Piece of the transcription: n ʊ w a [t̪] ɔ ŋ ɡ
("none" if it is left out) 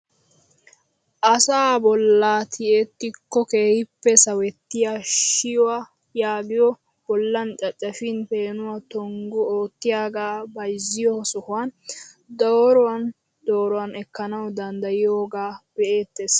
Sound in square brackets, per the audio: t̪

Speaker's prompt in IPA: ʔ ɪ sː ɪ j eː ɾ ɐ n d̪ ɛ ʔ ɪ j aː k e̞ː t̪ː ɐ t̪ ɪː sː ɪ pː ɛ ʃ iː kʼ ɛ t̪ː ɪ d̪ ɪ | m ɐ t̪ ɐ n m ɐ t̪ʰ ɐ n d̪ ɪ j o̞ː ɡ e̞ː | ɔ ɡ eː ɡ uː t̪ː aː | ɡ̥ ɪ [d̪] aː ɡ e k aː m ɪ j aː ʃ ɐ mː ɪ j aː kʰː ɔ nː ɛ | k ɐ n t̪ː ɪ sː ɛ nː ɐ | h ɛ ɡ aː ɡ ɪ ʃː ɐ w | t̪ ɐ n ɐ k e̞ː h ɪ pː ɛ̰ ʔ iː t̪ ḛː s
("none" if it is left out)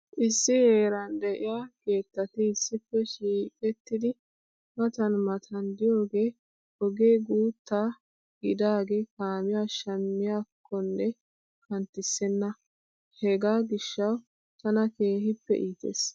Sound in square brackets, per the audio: d̪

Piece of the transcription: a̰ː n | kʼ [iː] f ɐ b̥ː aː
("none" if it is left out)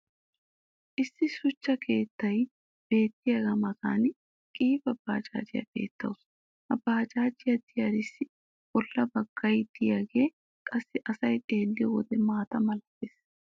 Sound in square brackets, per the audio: iː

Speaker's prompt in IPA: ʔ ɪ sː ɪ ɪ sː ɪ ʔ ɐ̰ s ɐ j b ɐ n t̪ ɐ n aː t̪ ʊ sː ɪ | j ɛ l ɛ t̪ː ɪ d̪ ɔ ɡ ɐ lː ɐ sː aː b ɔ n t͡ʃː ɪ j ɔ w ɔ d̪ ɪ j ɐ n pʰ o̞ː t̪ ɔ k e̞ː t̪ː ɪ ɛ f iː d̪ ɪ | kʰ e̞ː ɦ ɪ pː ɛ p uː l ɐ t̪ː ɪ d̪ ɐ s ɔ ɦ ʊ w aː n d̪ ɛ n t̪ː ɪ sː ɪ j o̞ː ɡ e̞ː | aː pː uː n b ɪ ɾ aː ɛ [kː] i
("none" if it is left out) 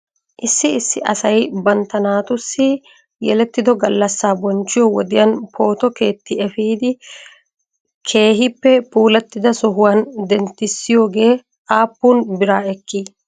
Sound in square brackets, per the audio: kː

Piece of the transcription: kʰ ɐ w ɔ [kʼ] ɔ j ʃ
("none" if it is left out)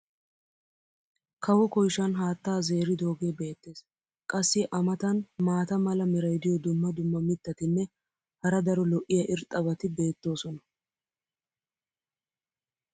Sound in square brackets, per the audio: k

